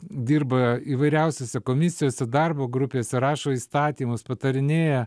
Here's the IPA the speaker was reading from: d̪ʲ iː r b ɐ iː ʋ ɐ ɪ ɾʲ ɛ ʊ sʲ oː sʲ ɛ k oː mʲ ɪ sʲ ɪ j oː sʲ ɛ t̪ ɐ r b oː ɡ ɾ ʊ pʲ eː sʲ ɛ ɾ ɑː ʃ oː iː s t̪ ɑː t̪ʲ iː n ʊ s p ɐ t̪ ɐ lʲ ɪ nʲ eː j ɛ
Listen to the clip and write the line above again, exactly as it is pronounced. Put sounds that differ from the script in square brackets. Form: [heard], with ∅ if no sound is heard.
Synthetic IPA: d̪ʲ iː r b ɐ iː ʋ ɐ ɪ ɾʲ ɛ ʊ sʲ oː sʲ ɛ k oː mʲ ɪ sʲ ɪ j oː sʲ ɛ [d̪] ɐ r b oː ɡ ɾ ʊ pʲ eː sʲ ɛ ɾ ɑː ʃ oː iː s t̪ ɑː t̪ʲ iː [m] ʊ s p ɐ t̪ ɐ [ɾʲ] ɪ nʲ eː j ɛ